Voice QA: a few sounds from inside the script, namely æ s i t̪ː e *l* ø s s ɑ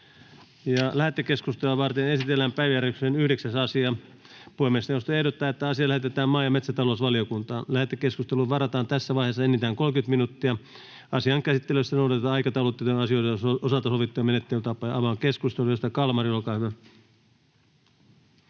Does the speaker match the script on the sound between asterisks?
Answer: yes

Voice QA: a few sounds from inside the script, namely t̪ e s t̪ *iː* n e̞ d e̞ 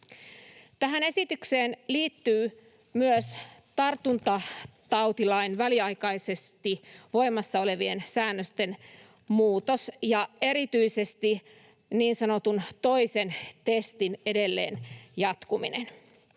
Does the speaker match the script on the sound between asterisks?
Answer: no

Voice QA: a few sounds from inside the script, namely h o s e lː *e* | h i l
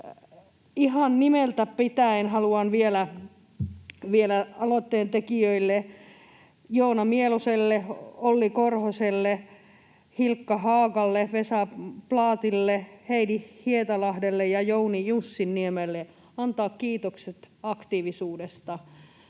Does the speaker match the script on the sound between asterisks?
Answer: yes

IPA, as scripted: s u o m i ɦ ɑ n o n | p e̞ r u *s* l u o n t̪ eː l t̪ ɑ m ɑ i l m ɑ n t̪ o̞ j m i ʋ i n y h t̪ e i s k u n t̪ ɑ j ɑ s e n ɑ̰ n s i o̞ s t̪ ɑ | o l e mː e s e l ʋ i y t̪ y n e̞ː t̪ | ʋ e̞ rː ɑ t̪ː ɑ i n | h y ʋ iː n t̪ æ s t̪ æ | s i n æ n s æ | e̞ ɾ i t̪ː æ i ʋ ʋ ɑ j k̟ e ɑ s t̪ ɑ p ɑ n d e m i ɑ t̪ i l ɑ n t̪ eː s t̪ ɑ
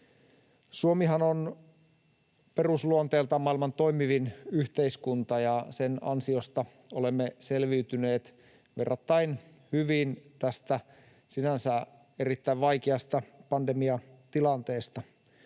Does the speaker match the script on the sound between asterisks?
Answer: yes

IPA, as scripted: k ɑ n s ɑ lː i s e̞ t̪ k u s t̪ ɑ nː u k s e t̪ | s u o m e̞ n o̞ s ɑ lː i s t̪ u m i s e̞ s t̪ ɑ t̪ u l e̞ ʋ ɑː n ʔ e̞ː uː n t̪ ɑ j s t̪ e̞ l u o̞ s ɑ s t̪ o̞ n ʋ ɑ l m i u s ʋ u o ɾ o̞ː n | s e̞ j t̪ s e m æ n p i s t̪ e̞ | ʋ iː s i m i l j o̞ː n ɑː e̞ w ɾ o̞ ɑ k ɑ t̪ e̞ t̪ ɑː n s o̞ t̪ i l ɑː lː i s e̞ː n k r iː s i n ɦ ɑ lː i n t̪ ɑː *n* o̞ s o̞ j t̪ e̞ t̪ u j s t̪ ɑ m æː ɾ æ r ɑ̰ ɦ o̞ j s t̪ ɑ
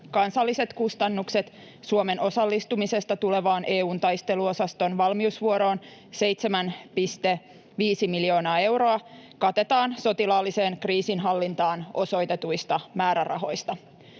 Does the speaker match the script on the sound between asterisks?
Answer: yes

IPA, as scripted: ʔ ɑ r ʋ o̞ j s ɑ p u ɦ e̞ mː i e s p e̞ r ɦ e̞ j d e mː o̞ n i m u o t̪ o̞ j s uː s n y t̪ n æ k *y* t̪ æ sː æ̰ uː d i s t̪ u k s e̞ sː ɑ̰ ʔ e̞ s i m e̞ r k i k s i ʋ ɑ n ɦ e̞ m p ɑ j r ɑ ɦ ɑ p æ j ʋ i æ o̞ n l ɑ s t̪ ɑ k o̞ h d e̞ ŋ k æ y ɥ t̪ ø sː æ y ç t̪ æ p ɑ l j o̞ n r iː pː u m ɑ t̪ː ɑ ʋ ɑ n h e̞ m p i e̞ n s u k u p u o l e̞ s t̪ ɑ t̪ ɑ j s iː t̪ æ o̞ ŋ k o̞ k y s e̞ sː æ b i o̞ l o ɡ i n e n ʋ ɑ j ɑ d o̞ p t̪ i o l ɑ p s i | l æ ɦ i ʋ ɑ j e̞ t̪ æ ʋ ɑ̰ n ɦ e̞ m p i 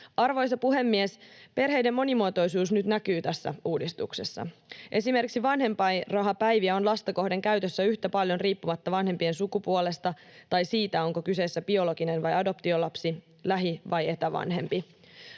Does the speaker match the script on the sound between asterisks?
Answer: no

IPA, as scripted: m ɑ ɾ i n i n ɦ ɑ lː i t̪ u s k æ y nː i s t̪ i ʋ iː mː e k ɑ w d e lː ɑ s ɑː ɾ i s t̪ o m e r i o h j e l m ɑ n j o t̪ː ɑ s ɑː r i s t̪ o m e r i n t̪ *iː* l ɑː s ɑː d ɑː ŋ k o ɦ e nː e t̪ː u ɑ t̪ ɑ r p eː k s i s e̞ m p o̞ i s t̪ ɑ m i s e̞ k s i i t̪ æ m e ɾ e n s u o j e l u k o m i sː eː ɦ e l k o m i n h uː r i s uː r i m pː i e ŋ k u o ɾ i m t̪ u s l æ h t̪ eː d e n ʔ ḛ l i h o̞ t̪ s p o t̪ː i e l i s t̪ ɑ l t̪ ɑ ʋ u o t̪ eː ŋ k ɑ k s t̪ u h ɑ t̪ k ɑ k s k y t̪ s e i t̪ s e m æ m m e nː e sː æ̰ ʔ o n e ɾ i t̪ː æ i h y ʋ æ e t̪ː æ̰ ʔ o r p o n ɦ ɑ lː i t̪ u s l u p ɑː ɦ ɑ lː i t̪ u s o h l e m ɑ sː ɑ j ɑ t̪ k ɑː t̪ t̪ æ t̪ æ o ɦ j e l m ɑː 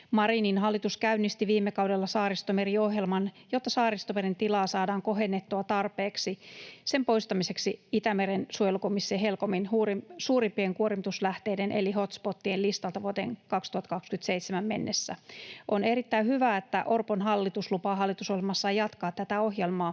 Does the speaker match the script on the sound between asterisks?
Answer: no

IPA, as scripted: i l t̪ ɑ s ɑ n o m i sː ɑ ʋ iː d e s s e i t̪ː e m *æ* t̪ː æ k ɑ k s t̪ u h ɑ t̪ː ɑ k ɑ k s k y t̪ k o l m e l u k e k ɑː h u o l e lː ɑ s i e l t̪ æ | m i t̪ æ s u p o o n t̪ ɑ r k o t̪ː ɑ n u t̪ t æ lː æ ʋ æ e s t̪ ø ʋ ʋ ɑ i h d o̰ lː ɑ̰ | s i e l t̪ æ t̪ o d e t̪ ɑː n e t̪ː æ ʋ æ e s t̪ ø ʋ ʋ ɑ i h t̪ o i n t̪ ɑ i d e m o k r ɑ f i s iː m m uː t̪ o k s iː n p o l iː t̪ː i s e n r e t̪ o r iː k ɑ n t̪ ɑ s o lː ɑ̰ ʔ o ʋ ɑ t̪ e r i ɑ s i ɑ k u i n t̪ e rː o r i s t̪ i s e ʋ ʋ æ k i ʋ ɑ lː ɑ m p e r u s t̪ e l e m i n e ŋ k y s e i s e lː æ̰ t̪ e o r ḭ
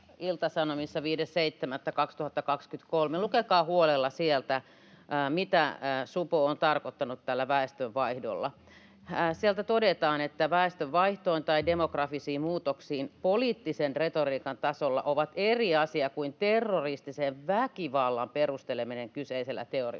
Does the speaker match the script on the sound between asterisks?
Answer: yes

